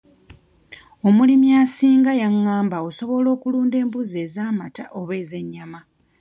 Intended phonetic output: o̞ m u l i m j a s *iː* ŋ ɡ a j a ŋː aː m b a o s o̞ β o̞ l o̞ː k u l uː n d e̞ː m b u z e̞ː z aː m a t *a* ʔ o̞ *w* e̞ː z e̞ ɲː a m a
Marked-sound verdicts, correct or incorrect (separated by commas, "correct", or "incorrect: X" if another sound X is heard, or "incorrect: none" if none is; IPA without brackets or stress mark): correct, correct, incorrect: β